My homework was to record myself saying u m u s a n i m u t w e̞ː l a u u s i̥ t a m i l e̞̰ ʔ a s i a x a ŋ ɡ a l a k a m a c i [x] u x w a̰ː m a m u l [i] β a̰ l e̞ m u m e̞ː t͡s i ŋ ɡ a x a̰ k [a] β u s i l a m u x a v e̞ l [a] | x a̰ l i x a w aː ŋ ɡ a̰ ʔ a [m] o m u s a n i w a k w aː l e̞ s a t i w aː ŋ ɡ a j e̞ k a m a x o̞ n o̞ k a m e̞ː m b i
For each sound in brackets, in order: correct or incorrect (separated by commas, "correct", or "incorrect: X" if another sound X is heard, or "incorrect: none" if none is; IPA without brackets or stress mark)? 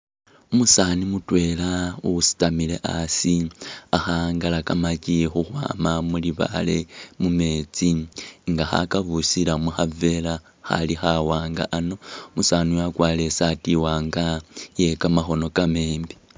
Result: correct, correct, correct, correct, incorrect: n